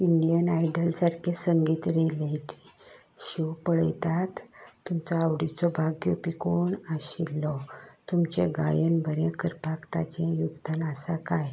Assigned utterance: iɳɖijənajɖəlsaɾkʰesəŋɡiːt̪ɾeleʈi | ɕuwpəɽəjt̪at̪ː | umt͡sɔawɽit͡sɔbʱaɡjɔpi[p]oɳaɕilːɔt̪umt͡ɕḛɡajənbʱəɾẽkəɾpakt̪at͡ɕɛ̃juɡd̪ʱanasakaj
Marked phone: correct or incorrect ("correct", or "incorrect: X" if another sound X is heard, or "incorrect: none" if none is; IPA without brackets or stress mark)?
incorrect: k